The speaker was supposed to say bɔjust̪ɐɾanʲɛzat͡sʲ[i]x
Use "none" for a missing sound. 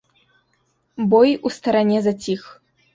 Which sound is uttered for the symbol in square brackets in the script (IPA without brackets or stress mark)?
i